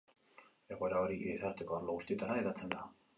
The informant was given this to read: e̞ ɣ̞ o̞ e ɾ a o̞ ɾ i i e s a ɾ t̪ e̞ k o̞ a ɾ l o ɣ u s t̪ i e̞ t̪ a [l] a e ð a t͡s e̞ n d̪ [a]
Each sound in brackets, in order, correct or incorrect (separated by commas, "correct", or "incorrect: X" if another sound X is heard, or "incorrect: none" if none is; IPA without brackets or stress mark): incorrect: ɾ, correct